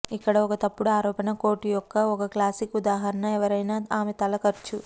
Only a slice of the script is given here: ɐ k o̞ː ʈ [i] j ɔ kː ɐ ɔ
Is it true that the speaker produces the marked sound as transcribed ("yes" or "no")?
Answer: yes